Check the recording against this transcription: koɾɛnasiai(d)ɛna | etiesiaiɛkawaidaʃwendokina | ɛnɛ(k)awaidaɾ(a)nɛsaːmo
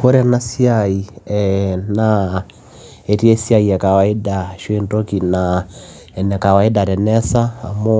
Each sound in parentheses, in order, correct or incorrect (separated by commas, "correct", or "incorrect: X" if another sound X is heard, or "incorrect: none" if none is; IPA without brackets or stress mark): incorrect: none, correct, incorrect: ɛ